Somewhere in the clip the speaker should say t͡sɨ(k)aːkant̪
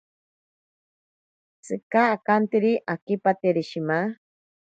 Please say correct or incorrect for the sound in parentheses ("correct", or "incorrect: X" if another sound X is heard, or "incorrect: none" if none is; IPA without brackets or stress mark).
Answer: correct